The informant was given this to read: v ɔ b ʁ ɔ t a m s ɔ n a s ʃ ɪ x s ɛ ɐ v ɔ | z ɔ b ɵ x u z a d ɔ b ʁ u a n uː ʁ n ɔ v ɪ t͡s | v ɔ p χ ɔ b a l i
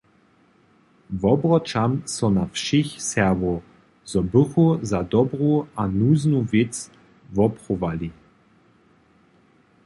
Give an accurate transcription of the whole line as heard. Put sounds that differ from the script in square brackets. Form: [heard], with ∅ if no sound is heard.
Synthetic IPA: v ɔ b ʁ ɔ [t͡ʃ] a m s ɔ n a [f] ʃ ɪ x s ɛ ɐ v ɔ | z ɔ b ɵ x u z a d ɔ b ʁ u a n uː [z] n [u] v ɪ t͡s | v ɔ p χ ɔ [v] a l i